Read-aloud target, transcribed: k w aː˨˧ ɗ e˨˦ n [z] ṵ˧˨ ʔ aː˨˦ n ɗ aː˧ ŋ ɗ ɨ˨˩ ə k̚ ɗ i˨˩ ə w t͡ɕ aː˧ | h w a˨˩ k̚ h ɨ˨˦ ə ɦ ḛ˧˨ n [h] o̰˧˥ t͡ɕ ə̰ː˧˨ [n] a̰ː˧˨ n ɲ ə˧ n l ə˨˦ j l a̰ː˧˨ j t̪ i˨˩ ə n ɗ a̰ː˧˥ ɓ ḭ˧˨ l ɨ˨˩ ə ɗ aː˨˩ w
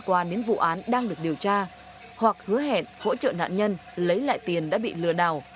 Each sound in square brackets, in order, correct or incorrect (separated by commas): incorrect, correct, correct